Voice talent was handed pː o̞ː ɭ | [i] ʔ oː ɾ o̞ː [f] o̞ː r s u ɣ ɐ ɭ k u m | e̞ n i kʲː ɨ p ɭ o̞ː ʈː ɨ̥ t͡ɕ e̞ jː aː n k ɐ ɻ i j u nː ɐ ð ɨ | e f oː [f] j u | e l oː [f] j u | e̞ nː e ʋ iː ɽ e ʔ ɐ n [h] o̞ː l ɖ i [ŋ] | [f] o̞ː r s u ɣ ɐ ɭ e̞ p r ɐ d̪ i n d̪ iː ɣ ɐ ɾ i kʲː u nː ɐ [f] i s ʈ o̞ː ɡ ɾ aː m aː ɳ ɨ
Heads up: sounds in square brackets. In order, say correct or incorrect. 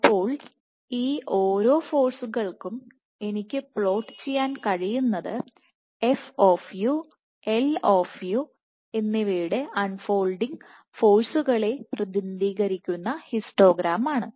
incorrect: iː, correct, correct, correct, incorrect: f, correct, correct, incorrect: h

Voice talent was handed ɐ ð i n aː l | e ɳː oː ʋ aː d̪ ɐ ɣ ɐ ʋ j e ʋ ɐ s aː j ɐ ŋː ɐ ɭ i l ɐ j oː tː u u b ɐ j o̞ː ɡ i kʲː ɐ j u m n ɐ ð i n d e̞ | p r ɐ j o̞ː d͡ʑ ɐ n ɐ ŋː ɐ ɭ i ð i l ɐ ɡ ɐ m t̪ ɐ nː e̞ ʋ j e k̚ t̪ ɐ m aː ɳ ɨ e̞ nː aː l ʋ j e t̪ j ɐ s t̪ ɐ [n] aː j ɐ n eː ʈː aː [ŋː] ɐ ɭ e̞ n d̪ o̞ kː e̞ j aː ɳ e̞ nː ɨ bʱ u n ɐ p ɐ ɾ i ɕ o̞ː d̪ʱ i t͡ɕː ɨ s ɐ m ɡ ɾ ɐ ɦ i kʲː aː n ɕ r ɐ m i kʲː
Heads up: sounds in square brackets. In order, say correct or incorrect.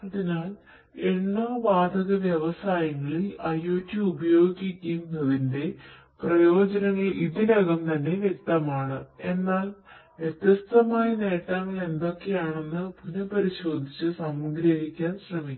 incorrect: m, correct

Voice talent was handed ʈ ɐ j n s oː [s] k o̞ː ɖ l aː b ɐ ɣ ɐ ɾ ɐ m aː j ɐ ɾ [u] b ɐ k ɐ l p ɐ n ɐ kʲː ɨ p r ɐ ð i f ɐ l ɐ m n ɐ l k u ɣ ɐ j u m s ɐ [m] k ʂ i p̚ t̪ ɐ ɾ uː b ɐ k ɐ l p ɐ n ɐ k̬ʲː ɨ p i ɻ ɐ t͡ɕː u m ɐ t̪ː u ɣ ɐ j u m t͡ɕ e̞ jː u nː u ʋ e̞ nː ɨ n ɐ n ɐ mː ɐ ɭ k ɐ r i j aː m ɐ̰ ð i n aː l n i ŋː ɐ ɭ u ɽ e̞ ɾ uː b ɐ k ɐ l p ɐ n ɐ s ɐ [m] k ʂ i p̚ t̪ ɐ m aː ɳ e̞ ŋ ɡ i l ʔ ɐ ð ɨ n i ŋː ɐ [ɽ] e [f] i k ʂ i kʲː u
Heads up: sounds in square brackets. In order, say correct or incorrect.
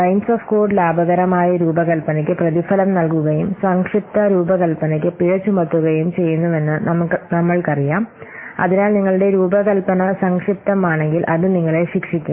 incorrect: f, incorrect: uː, incorrect: ŋ, incorrect: ŋ, incorrect: ɭ, incorrect: ɕ

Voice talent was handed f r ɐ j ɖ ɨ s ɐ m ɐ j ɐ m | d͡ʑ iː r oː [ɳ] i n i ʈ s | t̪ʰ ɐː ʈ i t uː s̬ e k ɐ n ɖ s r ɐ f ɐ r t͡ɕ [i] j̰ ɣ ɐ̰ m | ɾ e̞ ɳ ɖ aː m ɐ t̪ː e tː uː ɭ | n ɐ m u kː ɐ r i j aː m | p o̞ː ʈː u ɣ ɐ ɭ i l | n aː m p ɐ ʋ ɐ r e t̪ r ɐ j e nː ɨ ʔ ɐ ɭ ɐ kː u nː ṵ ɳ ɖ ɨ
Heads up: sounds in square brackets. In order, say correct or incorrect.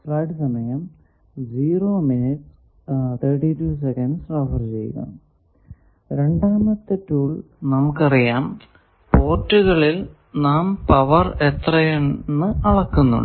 incorrect: m, incorrect: e

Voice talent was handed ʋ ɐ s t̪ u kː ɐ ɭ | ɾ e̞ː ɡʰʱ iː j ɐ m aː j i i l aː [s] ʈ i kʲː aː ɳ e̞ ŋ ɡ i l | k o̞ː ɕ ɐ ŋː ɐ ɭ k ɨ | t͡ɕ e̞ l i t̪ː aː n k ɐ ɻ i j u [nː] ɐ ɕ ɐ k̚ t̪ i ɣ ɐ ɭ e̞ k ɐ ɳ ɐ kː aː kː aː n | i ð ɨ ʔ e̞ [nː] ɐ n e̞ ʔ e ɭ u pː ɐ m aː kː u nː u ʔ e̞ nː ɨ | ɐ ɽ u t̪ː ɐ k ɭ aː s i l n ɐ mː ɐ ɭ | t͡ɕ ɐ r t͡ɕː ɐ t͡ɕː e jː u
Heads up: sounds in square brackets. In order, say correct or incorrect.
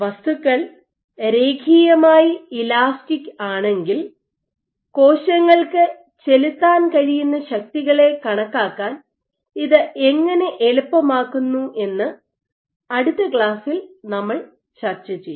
correct, correct, incorrect: ŋː

